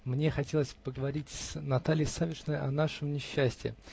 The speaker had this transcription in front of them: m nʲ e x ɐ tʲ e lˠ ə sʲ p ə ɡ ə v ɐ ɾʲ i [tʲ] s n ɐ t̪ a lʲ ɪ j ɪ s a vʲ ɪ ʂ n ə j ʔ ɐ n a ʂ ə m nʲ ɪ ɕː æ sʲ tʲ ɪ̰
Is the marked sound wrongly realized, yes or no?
no